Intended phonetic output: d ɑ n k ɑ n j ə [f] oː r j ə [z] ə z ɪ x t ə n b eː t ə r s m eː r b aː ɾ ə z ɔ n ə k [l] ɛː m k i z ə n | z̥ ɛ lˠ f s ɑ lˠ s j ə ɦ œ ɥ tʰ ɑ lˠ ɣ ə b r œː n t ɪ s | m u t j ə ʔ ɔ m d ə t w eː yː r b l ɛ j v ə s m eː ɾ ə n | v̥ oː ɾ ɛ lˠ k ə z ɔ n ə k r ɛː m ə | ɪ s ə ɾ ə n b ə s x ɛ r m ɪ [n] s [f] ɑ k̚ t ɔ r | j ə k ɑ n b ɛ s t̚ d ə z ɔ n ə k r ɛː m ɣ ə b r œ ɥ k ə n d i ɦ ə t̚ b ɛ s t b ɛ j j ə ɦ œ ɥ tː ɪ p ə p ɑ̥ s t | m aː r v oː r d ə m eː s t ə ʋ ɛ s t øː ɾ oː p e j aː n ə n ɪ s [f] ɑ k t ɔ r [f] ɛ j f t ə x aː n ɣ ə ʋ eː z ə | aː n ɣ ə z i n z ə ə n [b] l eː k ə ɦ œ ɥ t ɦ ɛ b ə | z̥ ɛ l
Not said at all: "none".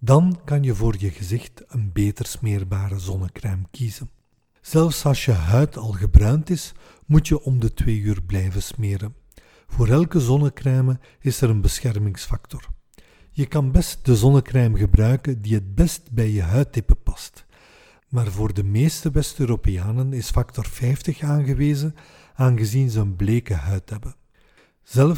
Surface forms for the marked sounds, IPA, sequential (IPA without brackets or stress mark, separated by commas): v, ɣ, r, ŋ, f, f, f, b